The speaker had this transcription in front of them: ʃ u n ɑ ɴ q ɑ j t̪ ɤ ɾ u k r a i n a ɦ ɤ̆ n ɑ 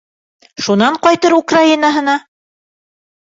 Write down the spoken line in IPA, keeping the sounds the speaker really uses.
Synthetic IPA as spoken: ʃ u n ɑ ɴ q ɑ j t̪ ɤ ɾ u k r a i n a ɦ ɤ̆ n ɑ